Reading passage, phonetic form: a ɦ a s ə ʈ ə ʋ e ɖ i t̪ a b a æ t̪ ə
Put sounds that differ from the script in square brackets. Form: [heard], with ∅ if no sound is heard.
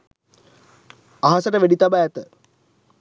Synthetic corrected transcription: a ɦ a s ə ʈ ə ʋ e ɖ i t̪ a b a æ t̪ ə